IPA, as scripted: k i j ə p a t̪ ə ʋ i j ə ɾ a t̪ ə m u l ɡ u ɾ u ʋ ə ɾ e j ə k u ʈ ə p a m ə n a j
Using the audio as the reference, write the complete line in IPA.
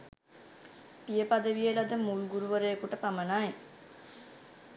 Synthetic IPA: p i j ə p a d̪ ə ʋ i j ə l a d̪ ə m u l ɡ u ɾ u ʋ ə ɾ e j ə k u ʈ ə p a m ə n a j